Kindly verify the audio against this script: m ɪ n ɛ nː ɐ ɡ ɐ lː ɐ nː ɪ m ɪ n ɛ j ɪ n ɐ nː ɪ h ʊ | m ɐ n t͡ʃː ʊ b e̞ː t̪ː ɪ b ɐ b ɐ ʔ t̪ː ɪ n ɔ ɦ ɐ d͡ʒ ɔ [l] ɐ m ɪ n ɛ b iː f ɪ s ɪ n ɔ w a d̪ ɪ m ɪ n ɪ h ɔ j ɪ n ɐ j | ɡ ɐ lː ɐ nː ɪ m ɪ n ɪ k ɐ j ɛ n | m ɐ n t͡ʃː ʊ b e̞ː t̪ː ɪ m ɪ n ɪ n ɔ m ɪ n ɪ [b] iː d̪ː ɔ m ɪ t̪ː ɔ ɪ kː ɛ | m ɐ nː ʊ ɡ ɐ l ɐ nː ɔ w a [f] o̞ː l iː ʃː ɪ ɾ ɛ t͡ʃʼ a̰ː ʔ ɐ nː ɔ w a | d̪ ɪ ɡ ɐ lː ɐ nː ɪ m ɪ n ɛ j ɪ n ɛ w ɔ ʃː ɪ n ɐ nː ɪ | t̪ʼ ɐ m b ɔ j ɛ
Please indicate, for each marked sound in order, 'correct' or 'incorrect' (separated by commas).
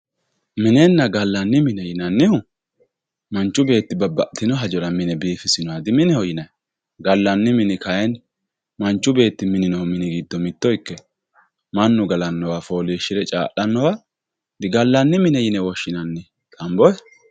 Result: incorrect, incorrect, correct